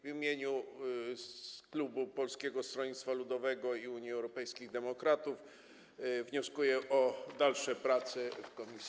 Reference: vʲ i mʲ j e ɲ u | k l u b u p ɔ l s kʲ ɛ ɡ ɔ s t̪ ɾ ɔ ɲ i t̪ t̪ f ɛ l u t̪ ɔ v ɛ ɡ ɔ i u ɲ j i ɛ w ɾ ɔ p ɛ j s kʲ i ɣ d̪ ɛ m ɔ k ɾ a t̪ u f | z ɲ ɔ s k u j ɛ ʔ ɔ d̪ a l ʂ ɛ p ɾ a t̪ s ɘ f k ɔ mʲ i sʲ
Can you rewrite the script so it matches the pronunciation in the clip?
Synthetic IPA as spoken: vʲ i mʲ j e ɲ u | k l u b u p ɔ l s kʲ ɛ ɡ ɔ s t̪ ɾ ɔ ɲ i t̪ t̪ f a l u d̪ ɔ v ɛ ɡ ɔ i u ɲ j i ɛ w ɾ ɔ p ɛ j s kʲ i ɣ d̪ ɛ m ɔ k ɾ a t̪ u f | v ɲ ɔ s k u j ɛ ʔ ɔ d̪ a l ʂ ɛ p ɾ a t̪ s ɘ f k ɔ mʲ i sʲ